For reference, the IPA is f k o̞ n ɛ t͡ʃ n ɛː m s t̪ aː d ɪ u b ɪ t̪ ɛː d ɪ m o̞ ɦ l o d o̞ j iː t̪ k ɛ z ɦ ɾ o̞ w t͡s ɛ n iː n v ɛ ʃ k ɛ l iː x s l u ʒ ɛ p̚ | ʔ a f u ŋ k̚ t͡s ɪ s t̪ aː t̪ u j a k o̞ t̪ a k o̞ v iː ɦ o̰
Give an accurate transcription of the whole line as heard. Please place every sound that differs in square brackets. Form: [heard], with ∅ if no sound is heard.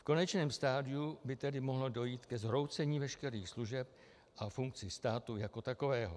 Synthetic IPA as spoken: f k o̞ n ɛ t͡ʃ n ɛː m s t̪ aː d ɪ u b ɪ t̪ [ɛ] d ɪ m o̞ ɦ l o d o̞ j iː t̪ k ɛ z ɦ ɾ o̞ w t͡s ɛ [ɲ] iː [∅] v ɛ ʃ k ɛ [ɾ] iː x s l u ʒ ɛ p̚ | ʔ a f u ŋ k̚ t͡s ɪ s t̪ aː t̪ u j a k o̞ t̪ a k o̞ v [ɛː] ɦ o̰